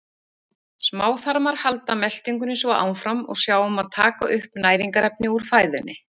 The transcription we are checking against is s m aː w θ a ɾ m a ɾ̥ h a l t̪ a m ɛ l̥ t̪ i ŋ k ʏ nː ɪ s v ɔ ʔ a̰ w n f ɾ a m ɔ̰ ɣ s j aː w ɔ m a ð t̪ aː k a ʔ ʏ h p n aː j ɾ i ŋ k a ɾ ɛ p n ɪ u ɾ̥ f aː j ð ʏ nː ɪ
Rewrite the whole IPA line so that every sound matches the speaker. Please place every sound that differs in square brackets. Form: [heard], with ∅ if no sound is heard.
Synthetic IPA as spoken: s m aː w θ a ɾ m a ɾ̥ h a l t̪ a m ɛ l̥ t̪ i ŋ k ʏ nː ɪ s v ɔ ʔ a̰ w n f ɾ a m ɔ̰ ɣ s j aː w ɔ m a ð [t̪ʰ] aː k a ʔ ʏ h p n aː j ɾ i ŋ k a ɾ ɛ p n ɪ u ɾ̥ f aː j ð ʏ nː ɪ